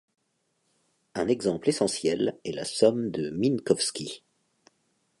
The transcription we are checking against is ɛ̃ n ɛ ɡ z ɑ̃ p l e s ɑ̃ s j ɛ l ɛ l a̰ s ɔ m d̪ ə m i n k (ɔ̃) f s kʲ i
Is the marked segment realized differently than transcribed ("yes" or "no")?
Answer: yes